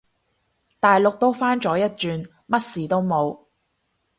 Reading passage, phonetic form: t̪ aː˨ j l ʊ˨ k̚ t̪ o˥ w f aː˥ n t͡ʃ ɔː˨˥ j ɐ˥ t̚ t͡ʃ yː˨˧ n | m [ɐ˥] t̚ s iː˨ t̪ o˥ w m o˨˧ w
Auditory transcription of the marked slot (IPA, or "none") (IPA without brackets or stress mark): ɐ˥